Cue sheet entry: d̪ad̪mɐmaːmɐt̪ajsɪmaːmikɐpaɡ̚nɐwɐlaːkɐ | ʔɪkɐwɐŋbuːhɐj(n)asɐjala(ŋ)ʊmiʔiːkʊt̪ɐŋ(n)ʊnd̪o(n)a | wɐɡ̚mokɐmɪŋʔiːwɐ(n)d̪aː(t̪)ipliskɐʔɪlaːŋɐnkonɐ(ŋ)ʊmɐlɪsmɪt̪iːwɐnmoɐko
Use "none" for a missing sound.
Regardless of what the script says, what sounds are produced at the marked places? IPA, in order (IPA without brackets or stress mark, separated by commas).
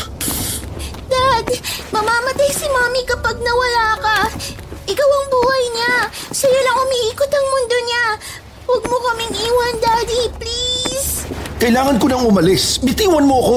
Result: ɲ, ŋ, m, ɲ, n, d̪, ŋ